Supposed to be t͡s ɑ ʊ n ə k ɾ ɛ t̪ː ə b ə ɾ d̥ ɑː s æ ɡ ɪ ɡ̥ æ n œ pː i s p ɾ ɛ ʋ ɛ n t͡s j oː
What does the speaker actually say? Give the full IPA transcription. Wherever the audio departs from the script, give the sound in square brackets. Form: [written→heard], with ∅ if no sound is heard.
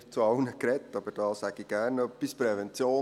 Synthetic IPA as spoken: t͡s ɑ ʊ n ə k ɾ ɛ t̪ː [ə→ɑ] b ə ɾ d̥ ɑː s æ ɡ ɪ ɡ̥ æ n œ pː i s p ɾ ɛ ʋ ɛ n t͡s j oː